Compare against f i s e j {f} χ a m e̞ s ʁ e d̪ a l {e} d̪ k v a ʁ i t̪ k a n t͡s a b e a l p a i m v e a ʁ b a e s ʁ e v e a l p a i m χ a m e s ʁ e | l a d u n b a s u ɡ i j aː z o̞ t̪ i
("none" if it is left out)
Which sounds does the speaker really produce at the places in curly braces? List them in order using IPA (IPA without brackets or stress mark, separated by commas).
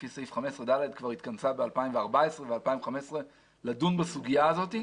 f, e